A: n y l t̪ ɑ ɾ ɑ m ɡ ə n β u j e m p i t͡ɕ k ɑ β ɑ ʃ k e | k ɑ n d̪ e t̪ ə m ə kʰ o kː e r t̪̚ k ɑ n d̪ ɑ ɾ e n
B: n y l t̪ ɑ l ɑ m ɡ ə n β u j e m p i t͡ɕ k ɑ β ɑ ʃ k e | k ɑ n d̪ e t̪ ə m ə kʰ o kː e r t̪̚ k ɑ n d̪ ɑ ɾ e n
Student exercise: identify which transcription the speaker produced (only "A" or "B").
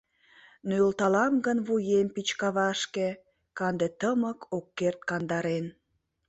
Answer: B